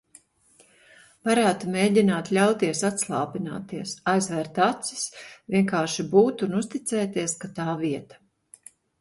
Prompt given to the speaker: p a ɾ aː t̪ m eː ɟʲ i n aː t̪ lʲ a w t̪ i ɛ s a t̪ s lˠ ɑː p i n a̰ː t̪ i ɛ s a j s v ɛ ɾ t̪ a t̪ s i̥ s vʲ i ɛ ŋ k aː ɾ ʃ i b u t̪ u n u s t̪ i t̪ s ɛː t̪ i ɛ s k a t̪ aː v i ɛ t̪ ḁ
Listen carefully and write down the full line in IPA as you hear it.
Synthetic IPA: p a ɾ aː t̪ m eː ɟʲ i n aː t̪ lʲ a w t̪ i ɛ s a t̪ s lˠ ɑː p i n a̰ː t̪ i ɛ s a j z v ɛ ɾ t̪ a t̪ s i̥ s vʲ i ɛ ŋ k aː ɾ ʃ i b uː t̪ u n u s t̪ i t̪ s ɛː t̪ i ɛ s k a t̪ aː v i ɛ t̪ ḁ